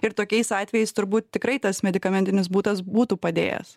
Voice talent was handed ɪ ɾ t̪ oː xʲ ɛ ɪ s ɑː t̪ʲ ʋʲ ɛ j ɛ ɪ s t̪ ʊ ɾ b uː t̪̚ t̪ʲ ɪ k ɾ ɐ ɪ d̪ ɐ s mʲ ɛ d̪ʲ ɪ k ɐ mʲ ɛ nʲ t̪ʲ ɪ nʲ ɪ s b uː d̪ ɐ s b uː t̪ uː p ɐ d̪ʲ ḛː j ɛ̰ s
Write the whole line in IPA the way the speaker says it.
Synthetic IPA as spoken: ɪ ɾ t̪ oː kʲ ɛ ɪ s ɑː t̪ʲ ʋʲ ɛ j ɛ ɪ s t̪ ʊ ɾ b uː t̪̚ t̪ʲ ɪ k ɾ ɐ ɪ t̪ ɐ s mʲ ɛ d̪ʲ ɪ k ɐ mʲ ɛ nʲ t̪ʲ ɪ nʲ ɪ s b uː t̪ ɐ s b uː t̪ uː p ɐ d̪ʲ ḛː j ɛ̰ s